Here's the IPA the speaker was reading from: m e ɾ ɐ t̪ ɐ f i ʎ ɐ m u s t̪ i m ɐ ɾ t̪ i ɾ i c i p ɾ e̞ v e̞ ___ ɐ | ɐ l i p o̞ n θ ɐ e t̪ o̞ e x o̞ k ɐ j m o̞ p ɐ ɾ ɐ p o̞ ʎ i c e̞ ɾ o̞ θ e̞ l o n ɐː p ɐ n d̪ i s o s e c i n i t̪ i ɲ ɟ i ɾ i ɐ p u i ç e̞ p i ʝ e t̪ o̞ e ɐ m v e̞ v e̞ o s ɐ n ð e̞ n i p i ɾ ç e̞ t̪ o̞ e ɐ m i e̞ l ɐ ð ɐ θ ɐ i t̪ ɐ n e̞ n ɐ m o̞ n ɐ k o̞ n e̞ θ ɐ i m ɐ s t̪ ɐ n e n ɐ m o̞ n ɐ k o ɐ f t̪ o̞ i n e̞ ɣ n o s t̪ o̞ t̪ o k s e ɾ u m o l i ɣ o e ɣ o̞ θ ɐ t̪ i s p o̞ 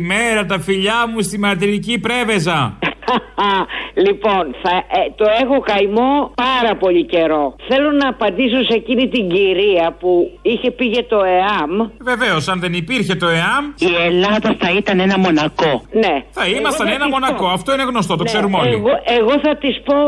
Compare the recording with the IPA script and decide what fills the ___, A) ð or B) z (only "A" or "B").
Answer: B